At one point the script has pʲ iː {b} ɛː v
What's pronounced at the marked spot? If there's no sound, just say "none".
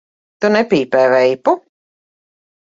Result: p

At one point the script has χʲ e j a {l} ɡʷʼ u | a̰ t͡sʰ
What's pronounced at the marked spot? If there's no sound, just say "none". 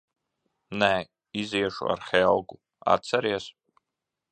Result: l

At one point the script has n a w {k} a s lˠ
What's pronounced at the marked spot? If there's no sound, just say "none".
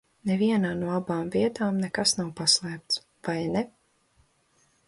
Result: p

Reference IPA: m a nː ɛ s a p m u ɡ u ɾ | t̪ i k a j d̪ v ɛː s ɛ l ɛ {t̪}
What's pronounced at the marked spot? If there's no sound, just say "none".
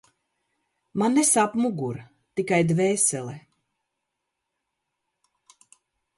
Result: none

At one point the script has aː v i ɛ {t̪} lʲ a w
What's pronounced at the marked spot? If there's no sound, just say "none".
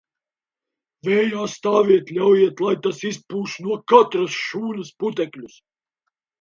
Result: t̪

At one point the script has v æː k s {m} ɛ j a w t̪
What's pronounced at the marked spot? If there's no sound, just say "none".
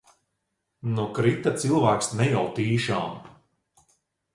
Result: n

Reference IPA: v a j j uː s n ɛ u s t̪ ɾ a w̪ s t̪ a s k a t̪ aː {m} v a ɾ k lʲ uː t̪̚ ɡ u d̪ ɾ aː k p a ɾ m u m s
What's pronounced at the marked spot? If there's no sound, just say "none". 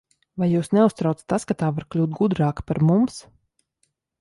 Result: none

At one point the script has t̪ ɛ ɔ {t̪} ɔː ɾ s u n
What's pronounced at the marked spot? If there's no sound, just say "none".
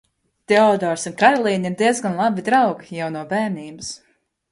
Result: d̪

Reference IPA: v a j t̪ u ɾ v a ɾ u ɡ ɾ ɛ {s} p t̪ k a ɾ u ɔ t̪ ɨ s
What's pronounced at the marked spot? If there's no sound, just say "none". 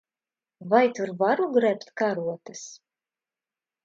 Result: none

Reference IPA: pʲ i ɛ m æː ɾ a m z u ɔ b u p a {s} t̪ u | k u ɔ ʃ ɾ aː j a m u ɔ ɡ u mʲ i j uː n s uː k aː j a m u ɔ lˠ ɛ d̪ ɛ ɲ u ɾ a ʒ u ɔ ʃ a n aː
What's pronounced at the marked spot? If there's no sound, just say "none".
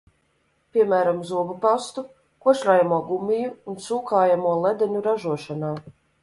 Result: s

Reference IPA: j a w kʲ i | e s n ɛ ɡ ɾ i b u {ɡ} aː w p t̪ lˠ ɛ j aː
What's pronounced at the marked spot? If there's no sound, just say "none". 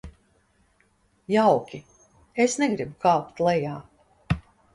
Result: k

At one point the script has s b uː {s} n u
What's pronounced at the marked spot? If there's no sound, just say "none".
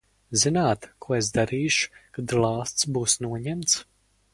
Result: s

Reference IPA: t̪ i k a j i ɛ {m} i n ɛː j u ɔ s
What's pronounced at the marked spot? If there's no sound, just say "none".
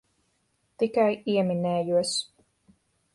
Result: m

